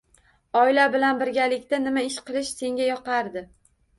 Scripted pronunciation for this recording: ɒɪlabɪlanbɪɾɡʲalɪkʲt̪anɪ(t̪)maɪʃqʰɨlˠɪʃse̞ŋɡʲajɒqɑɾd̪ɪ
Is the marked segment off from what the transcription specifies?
yes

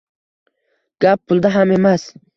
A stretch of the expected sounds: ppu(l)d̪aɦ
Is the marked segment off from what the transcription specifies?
no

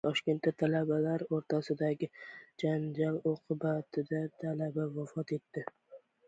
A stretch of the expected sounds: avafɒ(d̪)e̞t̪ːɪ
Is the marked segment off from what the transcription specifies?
yes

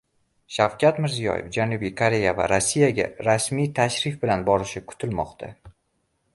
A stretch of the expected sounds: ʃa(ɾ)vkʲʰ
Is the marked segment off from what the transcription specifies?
yes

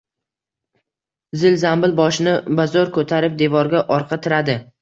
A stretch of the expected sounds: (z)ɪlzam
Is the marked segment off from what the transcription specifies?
no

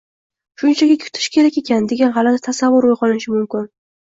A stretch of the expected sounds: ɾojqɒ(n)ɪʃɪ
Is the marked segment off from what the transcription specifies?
no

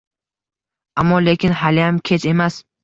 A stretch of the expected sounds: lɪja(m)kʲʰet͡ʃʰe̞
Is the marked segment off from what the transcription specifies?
no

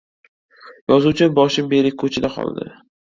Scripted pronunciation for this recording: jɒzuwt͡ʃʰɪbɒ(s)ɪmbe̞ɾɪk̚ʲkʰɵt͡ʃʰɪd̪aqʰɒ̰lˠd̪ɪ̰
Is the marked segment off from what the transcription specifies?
yes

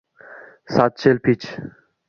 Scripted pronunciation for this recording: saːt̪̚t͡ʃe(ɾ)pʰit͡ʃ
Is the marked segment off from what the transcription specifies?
yes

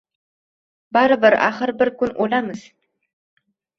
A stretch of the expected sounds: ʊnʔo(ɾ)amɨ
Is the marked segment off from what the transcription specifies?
yes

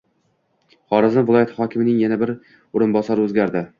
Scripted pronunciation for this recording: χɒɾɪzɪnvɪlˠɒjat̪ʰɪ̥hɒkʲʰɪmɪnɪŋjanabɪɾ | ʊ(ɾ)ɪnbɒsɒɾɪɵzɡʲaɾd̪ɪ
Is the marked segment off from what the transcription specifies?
no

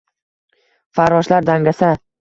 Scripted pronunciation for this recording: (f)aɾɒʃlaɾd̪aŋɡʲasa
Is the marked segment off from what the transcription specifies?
no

